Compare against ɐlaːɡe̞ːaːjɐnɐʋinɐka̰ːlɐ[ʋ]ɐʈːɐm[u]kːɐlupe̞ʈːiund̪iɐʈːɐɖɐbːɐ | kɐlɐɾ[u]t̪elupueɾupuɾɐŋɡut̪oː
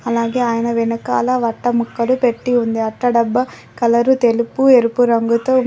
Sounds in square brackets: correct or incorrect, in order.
correct, correct, correct

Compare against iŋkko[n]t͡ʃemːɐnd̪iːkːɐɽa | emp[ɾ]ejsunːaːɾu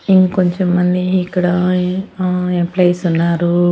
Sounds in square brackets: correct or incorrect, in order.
incorrect, incorrect

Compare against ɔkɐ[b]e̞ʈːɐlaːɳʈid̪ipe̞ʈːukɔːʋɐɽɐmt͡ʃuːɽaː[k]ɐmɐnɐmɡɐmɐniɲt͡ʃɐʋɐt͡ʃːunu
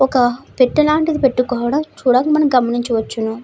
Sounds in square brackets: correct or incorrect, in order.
incorrect, correct

